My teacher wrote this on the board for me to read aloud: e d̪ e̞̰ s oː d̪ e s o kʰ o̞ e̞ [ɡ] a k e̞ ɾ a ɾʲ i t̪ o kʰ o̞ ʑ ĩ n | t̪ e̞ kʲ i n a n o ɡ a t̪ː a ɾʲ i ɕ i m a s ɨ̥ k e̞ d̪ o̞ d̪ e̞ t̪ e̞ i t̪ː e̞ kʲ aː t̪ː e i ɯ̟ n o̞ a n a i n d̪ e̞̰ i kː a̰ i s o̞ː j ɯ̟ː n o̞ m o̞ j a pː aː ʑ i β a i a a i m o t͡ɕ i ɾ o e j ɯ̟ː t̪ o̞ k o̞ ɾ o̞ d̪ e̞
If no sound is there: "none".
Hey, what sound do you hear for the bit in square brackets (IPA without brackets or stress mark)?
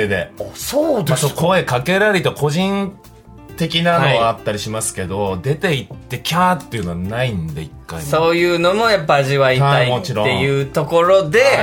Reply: k